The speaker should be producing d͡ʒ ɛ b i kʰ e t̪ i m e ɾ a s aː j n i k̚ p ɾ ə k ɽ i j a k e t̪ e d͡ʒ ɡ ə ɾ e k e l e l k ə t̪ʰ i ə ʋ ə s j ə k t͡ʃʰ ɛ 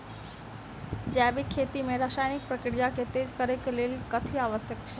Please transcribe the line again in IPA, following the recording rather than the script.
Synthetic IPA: d͡ʒ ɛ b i kʰ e t̪ i m e ɾ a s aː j n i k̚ p ɾ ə k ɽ i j a k e t̪ e d͡ʒ k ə ɾ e k e l e l k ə t̪ʰ i a ʋ ə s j ə k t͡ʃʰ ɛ